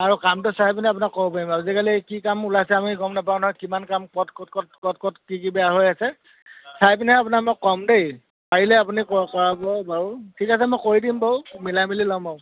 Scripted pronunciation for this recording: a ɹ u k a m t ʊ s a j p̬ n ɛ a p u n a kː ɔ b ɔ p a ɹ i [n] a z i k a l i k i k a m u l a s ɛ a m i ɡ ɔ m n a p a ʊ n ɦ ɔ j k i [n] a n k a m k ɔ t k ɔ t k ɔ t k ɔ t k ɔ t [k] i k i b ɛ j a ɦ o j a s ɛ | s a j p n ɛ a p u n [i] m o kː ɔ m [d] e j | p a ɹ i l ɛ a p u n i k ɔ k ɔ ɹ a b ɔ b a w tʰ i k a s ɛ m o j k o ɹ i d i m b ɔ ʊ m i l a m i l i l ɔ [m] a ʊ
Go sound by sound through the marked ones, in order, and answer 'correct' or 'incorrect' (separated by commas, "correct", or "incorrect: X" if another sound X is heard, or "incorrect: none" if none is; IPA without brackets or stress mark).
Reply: incorrect: m, incorrect: m, correct, incorrect: a, correct, correct